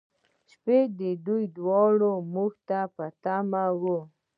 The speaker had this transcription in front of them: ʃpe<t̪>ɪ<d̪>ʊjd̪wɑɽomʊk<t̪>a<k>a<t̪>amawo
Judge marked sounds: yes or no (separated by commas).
no, yes, yes, no, yes